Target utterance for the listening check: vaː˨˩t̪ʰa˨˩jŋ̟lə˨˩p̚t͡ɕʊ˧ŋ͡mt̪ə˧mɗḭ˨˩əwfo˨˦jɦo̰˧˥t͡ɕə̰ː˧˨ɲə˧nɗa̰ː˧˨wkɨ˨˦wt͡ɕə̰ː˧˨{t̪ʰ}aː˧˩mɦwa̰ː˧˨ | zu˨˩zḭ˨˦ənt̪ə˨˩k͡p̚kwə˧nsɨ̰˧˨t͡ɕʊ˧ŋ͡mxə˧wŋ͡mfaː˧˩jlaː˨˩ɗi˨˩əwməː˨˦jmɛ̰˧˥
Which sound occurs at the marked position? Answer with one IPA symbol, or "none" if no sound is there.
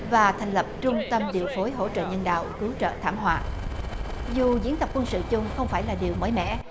t̪ʰ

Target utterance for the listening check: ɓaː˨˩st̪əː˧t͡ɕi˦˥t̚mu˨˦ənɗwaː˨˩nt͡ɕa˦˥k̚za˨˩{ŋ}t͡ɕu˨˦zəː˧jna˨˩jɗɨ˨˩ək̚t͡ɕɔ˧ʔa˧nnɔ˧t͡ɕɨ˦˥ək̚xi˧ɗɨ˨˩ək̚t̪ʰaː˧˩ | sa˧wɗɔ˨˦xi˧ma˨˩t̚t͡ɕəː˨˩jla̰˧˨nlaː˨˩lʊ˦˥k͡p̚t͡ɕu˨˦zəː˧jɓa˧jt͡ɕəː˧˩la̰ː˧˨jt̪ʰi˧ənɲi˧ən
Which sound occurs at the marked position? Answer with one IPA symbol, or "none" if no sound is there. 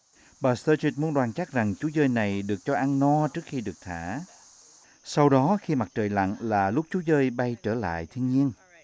ŋ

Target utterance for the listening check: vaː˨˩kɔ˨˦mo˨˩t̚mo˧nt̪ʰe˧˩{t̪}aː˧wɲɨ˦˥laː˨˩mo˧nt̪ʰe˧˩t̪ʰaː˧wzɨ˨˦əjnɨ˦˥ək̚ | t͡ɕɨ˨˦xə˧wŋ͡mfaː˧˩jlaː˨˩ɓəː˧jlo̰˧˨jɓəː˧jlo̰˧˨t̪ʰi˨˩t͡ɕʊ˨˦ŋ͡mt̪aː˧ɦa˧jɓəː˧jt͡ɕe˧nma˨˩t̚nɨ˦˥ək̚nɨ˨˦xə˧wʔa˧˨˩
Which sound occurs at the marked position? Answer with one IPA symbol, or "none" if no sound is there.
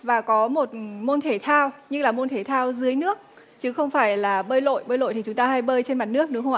t̪ʰ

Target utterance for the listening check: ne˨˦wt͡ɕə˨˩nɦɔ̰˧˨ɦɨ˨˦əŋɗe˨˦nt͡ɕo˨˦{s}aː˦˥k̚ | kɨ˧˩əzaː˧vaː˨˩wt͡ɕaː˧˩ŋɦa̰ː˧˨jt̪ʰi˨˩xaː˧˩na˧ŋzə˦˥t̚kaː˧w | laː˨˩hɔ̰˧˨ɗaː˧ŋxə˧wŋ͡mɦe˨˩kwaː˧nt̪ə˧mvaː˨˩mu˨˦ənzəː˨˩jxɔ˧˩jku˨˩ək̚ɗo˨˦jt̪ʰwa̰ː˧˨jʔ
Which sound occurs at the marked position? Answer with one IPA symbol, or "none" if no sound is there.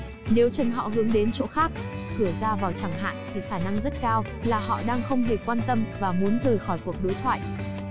x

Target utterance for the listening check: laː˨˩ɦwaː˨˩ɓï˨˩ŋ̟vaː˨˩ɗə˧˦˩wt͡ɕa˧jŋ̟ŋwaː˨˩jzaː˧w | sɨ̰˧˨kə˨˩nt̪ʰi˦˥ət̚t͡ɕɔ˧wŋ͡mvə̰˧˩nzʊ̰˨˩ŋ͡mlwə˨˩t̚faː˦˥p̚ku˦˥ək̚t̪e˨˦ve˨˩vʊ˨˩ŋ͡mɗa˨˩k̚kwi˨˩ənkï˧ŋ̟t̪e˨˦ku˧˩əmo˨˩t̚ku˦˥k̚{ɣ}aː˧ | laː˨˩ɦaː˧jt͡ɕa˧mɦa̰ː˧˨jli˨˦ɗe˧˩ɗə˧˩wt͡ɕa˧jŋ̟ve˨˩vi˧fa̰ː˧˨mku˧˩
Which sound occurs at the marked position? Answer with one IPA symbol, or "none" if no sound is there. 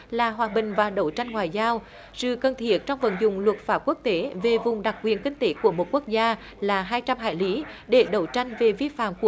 z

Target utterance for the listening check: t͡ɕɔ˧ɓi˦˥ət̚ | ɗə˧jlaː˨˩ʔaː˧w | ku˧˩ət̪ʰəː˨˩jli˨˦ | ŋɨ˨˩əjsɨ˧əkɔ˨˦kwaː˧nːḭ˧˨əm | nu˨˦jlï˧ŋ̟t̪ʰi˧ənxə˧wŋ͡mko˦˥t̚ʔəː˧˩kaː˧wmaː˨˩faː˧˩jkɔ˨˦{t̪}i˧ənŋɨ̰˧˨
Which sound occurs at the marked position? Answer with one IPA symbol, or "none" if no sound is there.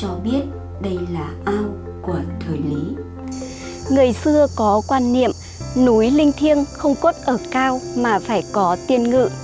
t̪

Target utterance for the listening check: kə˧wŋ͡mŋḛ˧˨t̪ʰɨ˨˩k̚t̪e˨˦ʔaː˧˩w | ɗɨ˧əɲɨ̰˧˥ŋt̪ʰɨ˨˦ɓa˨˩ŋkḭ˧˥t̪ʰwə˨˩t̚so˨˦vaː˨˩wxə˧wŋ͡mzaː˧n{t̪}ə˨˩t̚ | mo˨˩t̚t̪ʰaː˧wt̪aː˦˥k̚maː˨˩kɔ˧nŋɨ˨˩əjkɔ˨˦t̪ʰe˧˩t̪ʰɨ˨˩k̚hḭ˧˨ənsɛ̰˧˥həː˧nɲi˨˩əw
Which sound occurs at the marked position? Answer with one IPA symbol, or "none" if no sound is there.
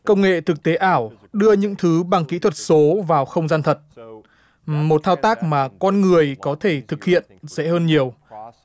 t̪ʰ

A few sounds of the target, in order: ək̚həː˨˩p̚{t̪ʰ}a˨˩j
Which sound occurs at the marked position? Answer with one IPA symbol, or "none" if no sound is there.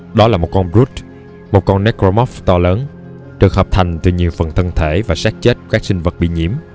t̪ʰ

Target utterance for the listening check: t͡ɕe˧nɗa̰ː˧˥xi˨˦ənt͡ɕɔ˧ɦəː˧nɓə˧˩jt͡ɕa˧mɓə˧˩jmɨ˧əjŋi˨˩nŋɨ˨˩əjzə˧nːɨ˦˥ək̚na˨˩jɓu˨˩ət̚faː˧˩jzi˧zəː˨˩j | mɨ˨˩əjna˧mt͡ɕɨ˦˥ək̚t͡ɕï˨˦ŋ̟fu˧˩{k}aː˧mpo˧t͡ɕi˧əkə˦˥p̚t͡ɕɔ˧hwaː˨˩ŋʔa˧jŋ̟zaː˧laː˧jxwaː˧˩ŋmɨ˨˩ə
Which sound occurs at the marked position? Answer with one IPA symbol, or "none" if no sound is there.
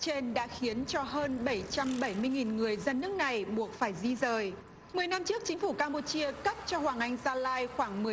k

